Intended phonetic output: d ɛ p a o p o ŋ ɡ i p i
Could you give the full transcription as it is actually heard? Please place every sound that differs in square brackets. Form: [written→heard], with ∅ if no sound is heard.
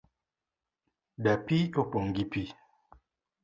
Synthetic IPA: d [ɛ→a] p [a→i] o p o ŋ ɡ i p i